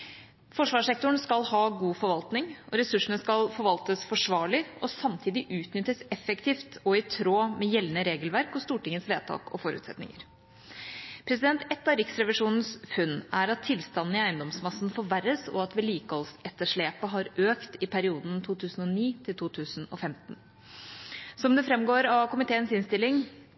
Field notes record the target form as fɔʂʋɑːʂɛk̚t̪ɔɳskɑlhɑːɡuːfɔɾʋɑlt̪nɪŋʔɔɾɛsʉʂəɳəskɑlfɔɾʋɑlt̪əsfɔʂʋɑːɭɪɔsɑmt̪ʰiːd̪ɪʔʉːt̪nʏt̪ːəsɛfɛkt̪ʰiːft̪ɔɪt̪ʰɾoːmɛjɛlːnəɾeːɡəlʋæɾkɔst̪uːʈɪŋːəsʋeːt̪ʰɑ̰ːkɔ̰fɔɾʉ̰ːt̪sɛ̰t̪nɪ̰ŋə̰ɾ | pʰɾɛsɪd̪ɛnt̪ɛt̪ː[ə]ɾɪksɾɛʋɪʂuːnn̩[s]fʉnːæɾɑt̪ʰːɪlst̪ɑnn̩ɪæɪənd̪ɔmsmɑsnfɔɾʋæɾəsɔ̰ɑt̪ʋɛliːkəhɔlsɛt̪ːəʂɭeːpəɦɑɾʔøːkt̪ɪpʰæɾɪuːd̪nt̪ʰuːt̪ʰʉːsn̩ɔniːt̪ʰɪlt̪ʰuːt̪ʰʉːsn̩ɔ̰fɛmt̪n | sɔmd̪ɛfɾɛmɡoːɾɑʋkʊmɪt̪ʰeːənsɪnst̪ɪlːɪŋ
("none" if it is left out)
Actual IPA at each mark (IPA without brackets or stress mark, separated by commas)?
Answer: ɑ, s